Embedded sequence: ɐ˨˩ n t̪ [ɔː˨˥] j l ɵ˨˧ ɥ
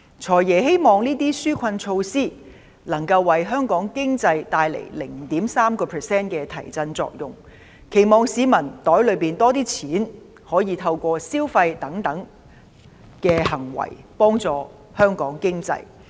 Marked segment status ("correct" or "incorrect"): correct